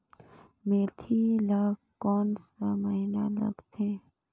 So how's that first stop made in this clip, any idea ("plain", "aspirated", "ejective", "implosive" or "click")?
aspirated